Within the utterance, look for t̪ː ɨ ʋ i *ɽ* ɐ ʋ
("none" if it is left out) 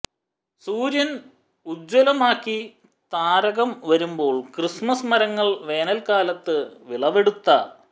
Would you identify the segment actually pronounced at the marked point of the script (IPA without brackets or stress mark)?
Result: ɭ